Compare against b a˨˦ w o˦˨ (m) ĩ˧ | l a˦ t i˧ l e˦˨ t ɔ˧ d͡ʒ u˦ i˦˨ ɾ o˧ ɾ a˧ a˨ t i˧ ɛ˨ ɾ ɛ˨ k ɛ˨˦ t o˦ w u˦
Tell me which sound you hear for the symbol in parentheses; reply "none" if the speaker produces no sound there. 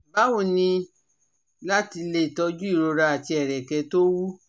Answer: n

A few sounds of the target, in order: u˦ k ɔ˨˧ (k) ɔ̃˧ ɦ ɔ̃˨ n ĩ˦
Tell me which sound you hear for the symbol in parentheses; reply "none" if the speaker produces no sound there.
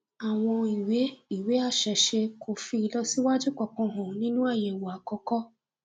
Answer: k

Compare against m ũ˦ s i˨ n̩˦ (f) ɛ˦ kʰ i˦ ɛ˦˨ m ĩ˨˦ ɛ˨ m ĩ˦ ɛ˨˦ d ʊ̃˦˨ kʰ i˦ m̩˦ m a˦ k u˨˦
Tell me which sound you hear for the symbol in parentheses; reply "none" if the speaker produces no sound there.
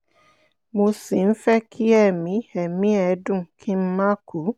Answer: f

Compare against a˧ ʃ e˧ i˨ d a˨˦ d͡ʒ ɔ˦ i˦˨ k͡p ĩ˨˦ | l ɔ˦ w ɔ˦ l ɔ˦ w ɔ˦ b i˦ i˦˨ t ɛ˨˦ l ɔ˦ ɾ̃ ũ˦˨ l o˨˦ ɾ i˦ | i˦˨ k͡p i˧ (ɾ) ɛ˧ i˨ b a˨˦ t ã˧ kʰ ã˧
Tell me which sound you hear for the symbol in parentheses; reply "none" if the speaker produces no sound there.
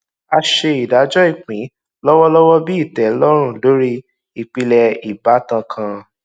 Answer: l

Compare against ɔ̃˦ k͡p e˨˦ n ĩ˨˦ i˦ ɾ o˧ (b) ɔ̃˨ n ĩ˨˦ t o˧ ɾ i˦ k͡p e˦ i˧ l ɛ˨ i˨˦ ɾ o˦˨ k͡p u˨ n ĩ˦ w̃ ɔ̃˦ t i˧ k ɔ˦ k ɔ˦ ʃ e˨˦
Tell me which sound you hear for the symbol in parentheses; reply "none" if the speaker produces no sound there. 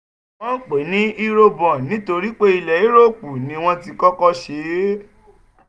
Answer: b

